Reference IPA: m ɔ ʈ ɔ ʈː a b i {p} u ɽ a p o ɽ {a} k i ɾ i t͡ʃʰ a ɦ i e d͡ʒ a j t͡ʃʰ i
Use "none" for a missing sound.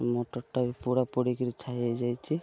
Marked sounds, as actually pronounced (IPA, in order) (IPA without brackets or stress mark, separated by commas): p, i